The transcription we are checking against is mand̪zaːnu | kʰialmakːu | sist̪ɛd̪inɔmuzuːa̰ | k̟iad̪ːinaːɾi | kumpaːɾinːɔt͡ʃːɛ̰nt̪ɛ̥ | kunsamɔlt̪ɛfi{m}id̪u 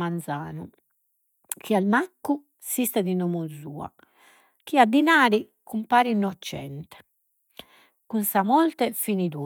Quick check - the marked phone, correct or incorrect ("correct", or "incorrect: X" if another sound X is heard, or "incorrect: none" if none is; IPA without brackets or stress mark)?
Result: incorrect: n